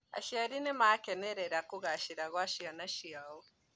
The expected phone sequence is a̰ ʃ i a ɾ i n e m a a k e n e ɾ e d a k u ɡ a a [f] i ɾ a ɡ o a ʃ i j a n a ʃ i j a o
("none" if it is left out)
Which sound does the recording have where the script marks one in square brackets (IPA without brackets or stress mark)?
ʃ